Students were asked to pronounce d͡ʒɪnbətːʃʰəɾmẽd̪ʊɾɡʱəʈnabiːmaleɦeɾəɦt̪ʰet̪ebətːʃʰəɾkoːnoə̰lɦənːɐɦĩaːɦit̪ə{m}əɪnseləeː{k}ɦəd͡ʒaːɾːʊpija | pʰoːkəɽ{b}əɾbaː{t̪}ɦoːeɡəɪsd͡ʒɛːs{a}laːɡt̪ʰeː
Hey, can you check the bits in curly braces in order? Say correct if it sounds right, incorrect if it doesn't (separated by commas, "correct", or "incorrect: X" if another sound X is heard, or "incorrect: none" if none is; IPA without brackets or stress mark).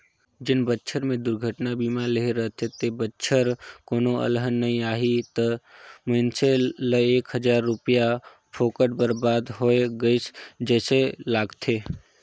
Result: correct, correct, correct, incorrect: d̪, incorrect: e